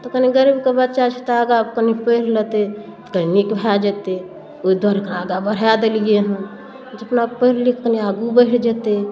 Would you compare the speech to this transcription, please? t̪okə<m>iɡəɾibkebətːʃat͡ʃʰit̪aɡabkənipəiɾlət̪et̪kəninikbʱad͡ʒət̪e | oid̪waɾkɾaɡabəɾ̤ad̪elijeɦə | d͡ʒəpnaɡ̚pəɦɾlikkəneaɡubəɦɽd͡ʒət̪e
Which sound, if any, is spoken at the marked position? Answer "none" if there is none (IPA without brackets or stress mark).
n